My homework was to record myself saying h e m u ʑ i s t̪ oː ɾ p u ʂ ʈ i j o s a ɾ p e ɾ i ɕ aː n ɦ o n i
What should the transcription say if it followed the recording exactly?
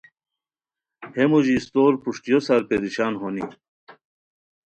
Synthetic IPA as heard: h e m u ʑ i s t̪ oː ɾ p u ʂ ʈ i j o s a ɾ p e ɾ i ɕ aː n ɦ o n i